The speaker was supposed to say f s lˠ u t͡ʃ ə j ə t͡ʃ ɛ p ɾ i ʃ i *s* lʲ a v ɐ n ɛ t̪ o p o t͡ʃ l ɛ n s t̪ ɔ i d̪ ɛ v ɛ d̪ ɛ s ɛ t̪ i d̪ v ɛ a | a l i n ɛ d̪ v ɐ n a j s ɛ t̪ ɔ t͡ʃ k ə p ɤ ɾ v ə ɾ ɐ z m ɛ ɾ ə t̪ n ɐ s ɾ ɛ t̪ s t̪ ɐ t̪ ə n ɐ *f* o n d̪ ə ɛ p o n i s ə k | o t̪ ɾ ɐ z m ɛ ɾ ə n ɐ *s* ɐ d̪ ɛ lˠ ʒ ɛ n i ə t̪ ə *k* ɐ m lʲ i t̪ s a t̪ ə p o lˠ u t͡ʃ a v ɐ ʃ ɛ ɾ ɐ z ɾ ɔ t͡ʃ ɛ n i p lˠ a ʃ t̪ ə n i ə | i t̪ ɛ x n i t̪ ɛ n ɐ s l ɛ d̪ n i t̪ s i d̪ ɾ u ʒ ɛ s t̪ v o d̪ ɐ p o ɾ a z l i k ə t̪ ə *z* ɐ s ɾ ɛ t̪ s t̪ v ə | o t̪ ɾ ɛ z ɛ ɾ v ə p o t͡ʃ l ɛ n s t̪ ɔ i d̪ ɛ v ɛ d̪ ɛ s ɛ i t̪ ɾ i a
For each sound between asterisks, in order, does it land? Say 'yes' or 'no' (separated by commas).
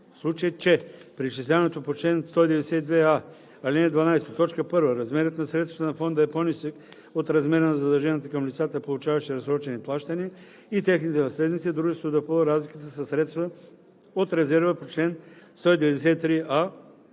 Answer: yes, yes, no, yes, no